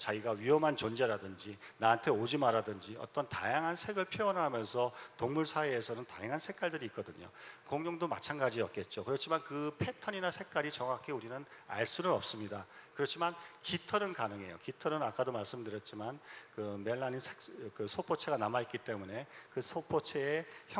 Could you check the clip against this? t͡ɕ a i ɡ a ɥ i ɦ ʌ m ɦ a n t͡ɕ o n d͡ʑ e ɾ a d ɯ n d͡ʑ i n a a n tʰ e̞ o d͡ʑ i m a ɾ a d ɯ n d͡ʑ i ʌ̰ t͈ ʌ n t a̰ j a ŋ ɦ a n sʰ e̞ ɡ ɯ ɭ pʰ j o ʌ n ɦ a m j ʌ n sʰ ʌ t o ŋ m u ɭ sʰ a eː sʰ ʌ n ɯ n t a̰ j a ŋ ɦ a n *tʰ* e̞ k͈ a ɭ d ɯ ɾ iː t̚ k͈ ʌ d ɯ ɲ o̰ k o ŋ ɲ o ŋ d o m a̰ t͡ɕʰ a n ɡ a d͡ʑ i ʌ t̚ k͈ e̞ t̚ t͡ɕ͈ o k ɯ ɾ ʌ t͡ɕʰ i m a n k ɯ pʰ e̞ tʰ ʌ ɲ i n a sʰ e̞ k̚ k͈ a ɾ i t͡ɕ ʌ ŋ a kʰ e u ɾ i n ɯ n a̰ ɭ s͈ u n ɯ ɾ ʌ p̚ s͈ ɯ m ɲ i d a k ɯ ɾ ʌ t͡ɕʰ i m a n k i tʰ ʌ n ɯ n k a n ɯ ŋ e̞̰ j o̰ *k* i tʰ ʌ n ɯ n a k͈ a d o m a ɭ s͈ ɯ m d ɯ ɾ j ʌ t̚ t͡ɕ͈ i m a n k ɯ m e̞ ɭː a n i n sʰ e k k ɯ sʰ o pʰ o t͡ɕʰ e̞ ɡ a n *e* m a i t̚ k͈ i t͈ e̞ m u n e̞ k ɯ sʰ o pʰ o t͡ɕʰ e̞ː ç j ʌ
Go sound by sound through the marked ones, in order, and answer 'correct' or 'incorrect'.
incorrect: sʰ, correct, incorrect: a

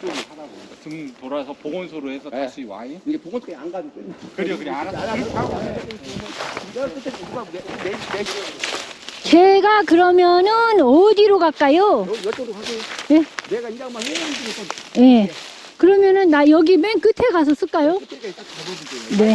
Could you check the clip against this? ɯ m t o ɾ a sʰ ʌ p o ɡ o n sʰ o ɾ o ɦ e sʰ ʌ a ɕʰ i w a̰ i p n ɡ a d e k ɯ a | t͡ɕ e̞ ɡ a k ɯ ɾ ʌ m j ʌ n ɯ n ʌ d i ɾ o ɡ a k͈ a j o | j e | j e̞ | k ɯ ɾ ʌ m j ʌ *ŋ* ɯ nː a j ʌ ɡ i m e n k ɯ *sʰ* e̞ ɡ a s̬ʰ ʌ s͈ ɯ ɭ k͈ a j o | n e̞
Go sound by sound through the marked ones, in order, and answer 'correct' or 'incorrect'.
incorrect: n, incorrect: tʰ

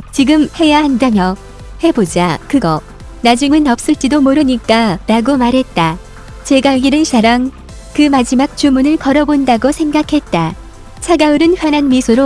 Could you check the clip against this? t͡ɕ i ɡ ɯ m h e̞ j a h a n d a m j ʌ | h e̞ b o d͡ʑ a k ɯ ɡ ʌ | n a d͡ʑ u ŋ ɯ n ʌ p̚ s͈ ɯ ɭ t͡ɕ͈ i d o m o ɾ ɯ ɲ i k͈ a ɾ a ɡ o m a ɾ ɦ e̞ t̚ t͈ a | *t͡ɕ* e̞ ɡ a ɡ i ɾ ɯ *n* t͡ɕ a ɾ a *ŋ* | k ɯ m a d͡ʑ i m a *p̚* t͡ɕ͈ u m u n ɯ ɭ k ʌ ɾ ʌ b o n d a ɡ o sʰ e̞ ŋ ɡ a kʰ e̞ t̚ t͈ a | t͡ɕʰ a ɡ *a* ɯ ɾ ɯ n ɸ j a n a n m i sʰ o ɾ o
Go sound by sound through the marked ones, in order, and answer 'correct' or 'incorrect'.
correct, correct, correct, incorrect: k̚, correct

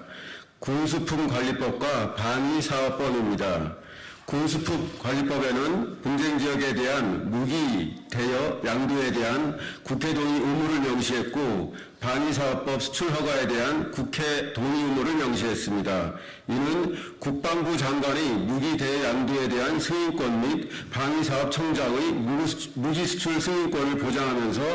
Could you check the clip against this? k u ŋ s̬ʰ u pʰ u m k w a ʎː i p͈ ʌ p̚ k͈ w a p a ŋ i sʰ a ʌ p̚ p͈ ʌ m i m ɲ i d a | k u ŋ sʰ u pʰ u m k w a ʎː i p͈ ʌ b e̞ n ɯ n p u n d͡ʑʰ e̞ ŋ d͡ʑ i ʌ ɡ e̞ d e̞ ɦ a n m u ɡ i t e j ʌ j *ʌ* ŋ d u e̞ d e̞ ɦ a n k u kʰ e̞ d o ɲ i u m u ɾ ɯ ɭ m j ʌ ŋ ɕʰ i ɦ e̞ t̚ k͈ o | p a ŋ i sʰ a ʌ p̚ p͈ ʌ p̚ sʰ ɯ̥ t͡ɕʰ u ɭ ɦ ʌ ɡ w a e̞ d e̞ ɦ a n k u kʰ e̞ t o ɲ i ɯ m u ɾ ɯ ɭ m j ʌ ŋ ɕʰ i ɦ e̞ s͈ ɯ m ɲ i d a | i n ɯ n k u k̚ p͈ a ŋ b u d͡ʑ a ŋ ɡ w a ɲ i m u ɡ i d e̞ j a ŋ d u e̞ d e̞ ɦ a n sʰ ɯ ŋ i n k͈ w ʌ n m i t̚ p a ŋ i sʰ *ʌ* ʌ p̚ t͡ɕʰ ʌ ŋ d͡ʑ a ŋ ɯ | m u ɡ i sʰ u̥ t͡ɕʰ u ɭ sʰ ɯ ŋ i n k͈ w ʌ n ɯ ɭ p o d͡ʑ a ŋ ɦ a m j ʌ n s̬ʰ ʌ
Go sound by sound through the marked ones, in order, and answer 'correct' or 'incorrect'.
incorrect: a, incorrect: a

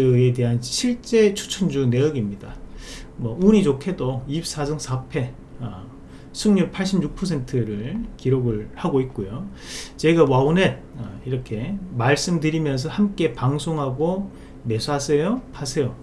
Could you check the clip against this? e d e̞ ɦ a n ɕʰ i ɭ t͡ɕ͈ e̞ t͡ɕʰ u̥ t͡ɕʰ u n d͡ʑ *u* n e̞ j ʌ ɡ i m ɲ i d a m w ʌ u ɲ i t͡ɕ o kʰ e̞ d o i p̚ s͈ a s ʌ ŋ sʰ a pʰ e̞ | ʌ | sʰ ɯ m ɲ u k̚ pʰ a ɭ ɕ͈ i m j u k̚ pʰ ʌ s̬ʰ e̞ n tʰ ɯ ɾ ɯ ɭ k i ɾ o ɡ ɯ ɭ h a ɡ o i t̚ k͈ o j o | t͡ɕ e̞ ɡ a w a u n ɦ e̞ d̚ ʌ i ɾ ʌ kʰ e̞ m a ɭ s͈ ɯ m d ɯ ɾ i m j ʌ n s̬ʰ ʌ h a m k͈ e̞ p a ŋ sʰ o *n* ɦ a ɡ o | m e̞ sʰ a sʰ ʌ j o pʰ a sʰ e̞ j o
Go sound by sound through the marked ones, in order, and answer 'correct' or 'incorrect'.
correct, incorrect: ŋ

